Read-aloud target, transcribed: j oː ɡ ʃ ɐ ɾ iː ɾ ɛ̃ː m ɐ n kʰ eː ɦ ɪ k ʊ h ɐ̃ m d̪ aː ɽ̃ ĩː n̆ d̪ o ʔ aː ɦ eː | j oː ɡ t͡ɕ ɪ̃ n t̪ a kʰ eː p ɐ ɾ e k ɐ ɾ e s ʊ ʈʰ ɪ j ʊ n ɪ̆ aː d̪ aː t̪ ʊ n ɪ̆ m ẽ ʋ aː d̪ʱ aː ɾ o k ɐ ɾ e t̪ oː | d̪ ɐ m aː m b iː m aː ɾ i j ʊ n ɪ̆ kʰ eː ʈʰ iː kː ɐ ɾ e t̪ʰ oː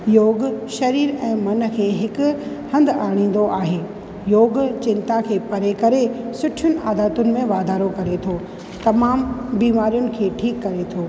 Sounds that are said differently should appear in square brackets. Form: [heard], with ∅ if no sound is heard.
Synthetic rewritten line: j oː ɡ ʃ ɐ ɾ iː ɾ ɛ̃ː m ɐ n kʰ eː ɦ ɪ k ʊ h ɐ̃ [n] d̪ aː ɽ̃ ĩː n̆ d̪ o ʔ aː ɦ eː | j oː ɡ t͡ɕ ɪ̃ n t̪ a kʰ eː p ɐ ɾ e k ɐ ɾ e s ʊ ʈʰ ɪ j ʊ n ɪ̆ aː d̪ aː t̪ ʊ n ɪ̆ m ẽ ʋ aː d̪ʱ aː ɾ o k ɐ ɾ e [t̪ʰ] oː | [t̪] ɐ m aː m b iː m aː ɾ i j ʊ n ɪ̆ kʰ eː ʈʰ iː kː ɐ ɾ e t̪ʰ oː

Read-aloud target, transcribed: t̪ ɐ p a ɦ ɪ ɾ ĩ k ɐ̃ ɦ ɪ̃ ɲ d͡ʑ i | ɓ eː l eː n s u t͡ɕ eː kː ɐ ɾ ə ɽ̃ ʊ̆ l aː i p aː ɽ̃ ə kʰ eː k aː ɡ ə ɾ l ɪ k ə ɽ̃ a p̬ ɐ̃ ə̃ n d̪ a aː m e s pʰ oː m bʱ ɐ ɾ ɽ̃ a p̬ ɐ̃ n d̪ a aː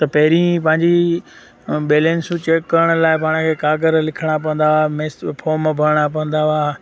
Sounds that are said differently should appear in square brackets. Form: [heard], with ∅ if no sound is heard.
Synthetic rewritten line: t̪ ɐ p [ɐ] ɦ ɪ ɾ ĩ [p] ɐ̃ ɦ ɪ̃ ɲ d͡ʑ i | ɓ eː l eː n s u t͡ɕ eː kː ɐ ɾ ə ɽ̃ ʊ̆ l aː [ɪ] p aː ɽ̃ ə kʰ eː k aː ɡ ə ɾ l ɪ [kʰ] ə ɽ̃ a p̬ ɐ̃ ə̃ n d̪ a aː m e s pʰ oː m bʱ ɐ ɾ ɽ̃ a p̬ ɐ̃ n d̪ a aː

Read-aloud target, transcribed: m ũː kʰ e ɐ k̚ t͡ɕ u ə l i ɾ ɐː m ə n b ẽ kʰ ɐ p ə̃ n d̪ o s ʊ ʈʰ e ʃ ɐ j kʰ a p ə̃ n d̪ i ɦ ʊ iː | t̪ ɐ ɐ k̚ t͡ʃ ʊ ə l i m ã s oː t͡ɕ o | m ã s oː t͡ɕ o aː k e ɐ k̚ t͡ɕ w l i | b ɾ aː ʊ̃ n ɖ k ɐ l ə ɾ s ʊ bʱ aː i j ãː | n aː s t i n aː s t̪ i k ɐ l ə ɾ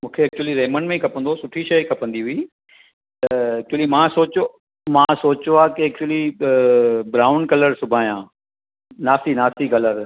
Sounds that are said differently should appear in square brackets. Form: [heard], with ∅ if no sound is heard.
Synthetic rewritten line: m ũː kʰ e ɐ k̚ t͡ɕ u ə l i ɾ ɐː m ə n [m] ẽ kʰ ɐ p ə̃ n d̪ o s ʊ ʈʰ [i] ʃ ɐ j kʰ [ɐ] p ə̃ n d̪ i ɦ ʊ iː | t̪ ɐ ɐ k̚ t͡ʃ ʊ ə l i m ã s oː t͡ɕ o | m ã s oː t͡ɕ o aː k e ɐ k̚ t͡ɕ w l i | b ɾ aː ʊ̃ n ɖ k ɐ l ə ɾ s ʊ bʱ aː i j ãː | n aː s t i n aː s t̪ i k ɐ l ə ɾ

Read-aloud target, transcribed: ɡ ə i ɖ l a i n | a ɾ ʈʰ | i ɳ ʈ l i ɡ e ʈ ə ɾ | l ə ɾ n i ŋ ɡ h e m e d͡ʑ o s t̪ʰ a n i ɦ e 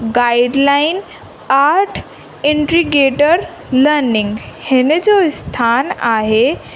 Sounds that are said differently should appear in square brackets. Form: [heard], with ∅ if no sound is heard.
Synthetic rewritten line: ɡ [a] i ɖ l a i n | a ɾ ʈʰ | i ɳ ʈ [ɾ] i ɡ e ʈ ə ɾ | l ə ɾ n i ŋ ɡ h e [n] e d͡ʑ o s t̪ʰ a n [a] ɦ e

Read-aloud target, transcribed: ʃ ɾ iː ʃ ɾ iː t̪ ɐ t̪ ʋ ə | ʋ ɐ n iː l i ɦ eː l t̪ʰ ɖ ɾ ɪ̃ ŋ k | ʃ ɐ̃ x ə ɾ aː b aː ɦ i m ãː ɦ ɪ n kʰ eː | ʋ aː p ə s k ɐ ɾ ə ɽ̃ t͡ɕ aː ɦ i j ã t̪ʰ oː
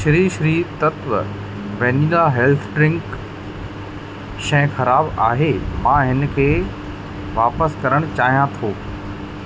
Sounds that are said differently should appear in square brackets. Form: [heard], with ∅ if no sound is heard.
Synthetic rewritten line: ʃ ɾ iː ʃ ɾ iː t̪ ɐ t̪ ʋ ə | ʋ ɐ n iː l [a] ɦ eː l t̪ʰ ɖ ɾ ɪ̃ ŋ k | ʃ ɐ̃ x [ɐ] ɾ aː b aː ɦ [e] m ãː ɦ ɪ n kʰ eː | ʋ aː p ə s k ɐ ɾ ə ɽ̃ t͡ɕ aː ɦ i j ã t̪ʰ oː

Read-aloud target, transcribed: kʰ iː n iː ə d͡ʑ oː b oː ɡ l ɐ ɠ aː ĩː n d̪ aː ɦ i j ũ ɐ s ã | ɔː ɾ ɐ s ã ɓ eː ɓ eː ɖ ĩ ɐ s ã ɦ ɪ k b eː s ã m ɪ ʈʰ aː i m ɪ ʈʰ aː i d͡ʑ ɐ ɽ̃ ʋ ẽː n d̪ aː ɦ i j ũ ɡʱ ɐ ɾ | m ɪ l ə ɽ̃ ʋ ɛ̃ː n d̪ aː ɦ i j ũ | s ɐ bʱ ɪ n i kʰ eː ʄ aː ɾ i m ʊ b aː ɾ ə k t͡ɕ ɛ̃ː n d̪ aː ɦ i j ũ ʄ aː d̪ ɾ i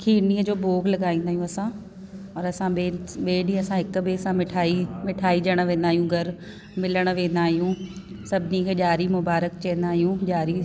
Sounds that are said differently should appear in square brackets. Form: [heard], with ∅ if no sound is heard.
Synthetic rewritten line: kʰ iː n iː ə d͡ʑ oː b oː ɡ l ɐ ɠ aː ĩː n d̪ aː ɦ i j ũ ɐ s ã | ɔː ɾ ɐ s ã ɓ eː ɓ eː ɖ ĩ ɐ s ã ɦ ɪ k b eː s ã m ɪ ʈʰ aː i m ɪ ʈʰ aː i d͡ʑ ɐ ɽ̃ ʋ ẽː n d̪ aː ɦ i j ũ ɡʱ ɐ ɾ | m ɪ l ə ɽ̃ ʋ [ẽː] n d̪ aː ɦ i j ũ | s ɐ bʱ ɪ n i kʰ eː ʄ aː ɾ i m ʊ b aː ɾ ə k t͡ɕ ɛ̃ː n d̪ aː ɦ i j ũ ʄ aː [∅] ɾ i

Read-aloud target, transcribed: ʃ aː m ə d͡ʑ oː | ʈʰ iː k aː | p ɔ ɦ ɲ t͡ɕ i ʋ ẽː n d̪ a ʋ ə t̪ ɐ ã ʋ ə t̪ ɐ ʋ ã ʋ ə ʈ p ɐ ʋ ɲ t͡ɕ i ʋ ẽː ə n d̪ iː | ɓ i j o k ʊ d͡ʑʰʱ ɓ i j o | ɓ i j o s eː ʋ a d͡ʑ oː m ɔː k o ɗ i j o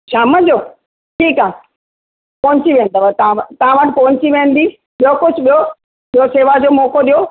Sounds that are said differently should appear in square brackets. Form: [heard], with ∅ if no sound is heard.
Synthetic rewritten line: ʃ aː m ə d͡ʑ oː | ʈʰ iː k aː | p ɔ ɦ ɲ t͡ɕ i ʋ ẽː n d̪ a ʋ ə t̪ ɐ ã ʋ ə t̪ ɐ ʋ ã ʋ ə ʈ p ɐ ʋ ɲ t͡ɕ i ʋ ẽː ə n d̪ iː | ɓ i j o k ʊ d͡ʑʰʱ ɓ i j o | ɓ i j o s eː ʋ a d͡ʑ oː m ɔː k o ɗ i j o

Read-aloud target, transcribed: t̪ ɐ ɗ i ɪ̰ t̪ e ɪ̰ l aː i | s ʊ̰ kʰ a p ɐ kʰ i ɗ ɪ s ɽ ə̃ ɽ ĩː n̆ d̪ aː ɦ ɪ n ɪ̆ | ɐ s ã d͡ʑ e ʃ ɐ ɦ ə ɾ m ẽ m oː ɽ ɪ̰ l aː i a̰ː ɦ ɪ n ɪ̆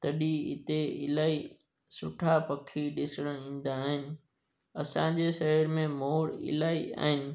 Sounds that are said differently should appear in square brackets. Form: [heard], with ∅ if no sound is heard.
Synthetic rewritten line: t̪ ɐ ɗ i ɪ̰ t̪ e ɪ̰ l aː i | s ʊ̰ [ʈʰ] a p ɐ kʰ i ɗ ɪ s ɽ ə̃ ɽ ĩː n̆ d̪ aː ɦ ɪ n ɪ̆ | ɐ s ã d͡ʑ e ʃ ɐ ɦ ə ɾ m ẽ m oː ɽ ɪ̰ l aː i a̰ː ɦ ɪ n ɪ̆

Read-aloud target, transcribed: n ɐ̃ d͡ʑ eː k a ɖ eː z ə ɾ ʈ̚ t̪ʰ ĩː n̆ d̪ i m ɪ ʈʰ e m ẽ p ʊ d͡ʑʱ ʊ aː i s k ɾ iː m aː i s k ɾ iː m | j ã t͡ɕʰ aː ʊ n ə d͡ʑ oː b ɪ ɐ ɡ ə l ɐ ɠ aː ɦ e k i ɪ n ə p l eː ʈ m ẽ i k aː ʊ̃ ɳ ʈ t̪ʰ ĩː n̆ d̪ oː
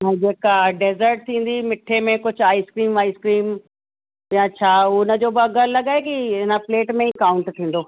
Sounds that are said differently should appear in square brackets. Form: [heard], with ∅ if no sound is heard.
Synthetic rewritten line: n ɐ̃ d͡ʑ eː k a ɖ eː z ə ɾ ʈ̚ t̪ʰ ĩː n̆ d̪ i m ɪ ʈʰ e m ẽ [k] ʊ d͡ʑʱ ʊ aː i s k ɾ iː m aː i s k ɾ iː m | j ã t͡ɕʰ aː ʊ n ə d͡ʑ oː b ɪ ɐ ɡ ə l ɐ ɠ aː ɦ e k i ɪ n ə p l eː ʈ m ẽ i k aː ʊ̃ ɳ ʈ t̪ʰ ĩː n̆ d̪ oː

